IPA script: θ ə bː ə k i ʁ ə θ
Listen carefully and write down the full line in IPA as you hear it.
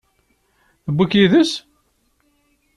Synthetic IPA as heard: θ ə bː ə k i ð ə s